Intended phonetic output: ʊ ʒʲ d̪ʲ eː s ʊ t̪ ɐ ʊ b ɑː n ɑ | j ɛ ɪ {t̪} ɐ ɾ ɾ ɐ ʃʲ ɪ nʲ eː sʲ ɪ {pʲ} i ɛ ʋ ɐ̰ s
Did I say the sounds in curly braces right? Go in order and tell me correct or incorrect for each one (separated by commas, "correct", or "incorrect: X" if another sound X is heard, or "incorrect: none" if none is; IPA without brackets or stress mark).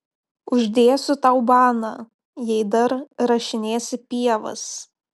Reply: incorrect: d̪, correct